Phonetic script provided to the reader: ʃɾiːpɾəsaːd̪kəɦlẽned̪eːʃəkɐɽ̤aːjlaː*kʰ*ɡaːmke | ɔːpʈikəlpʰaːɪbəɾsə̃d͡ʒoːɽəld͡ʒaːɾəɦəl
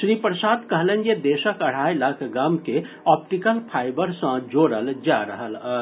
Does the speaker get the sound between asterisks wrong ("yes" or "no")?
no